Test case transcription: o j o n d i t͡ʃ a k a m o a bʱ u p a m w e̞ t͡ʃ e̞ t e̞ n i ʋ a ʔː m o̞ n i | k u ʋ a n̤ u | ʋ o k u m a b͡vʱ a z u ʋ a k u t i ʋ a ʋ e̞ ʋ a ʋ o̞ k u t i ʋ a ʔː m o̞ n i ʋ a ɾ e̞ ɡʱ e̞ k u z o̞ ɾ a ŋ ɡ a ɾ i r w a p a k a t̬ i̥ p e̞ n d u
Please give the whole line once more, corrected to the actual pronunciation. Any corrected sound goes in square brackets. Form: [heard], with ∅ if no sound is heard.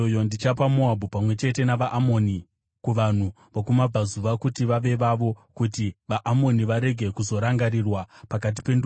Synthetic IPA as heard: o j o n d i t͡ʃ a [p] a m o a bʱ u p a m w e̞ t͡ʃ e̞ t e̞ n [a] ʋ a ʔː m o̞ n i | k u ʋ a n̤ u | ʋ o k u m a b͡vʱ a z u ʋ a k u t i ʋ a ʋ e̞ ʋ a ʋ o̞ k u t i ʋ a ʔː m o̞ n i ʋ a ɾ e̞ ɡʱ e̞ k u z o̞ ɾ a ŋ ɡ a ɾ i r w a p a k a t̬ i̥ p e̞ n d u